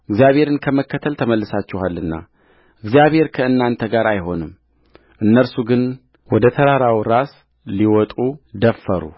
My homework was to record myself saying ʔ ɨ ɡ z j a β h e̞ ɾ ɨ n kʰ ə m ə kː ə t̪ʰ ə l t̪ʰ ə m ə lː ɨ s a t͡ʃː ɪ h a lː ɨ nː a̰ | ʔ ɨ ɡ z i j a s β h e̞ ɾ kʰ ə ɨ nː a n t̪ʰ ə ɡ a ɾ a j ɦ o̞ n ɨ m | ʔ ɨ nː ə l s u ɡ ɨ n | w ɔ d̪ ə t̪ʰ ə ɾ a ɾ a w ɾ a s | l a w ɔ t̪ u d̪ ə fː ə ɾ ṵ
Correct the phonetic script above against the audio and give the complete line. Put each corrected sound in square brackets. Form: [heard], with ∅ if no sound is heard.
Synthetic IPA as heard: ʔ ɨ ɡ z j a β h e̞ ɾ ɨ n kʰ ə m ə kː ə t̪ʰ ə l t̪ʰ ə m ə lː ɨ s a t͡ʃː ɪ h a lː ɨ nː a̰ | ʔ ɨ ɡ z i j a [∅] β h e̞ ɾ kʰ ə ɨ nː a n t̪ʰ ə ɡ a ɾ a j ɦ o̞ n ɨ m | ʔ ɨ nː ə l s u ɡ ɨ n | w ɔ d̪ ə t̪ʰ ə ɾ a ɾ a w ɾ a s | l [i] w ɔ [t̪ʼ] u d̪ ə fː ə ɾ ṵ